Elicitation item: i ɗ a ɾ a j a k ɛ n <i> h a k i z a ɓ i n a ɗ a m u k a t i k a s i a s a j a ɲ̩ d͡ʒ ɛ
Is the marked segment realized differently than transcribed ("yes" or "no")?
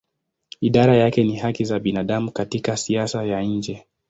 no